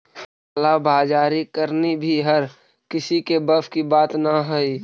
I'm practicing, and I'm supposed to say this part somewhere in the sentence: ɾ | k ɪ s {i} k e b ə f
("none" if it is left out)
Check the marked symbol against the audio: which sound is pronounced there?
i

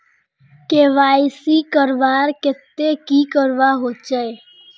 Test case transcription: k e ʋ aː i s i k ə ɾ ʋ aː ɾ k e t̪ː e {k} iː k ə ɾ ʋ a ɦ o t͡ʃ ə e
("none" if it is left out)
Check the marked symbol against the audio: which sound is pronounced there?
k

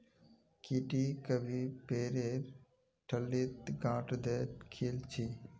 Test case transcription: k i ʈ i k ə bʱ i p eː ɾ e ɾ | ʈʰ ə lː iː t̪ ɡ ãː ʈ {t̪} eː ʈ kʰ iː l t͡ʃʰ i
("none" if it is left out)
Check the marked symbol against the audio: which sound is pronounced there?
d̪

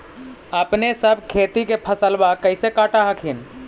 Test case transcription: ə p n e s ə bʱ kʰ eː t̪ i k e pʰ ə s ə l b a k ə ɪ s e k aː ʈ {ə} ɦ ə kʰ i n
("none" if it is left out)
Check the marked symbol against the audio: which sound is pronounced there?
a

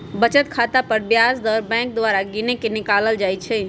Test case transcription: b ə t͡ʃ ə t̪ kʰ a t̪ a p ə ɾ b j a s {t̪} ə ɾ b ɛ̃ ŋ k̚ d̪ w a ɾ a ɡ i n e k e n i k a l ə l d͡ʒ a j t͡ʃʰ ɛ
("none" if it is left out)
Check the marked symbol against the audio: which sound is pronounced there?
d̪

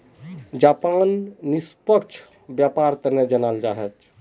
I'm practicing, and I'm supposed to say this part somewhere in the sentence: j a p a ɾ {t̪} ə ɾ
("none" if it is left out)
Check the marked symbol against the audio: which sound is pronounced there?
t̪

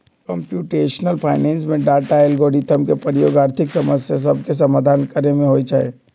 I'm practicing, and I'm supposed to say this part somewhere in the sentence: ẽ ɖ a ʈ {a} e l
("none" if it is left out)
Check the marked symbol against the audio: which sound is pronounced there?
a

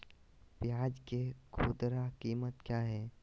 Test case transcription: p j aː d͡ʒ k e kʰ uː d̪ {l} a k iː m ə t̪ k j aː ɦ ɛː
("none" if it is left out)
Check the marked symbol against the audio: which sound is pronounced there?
ɾ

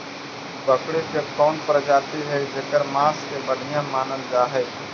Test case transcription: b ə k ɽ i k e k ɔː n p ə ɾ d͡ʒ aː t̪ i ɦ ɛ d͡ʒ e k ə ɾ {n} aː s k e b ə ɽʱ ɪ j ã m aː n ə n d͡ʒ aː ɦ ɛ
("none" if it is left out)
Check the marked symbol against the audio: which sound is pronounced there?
m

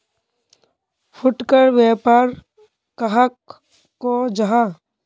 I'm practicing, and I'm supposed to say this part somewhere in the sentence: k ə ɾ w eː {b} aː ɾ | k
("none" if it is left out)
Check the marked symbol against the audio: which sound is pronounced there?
p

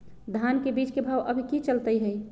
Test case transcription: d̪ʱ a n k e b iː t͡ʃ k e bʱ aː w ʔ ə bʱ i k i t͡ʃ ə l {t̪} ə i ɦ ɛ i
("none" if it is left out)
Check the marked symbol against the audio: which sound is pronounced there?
t̪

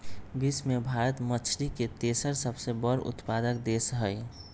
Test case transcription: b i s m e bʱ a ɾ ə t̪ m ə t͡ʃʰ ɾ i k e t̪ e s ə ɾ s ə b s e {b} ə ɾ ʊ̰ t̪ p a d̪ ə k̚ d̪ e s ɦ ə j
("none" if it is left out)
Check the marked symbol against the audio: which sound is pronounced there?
b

